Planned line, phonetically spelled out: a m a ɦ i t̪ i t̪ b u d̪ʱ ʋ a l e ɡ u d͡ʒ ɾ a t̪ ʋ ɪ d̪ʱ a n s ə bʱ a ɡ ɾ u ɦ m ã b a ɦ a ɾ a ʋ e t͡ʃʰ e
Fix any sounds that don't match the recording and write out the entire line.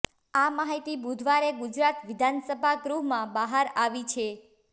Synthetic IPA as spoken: a m a ɦ i t̪ i b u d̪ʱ ʋ a ɾ e ɡ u d͡ʒ ɾ a t̪ ʋ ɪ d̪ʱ a n s ə bʱ a ɡ ɾ u ɦ m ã b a ɦ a ɾ a ʋ i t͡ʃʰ e